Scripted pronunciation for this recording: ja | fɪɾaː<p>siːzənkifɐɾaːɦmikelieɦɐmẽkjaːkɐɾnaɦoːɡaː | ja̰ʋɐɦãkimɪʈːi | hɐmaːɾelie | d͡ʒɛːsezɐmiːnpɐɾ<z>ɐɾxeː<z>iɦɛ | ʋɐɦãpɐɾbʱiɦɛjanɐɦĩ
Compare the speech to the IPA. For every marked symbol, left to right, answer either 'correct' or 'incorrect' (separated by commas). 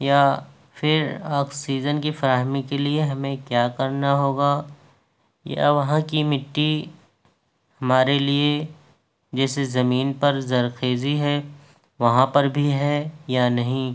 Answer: incorrect, correct, correct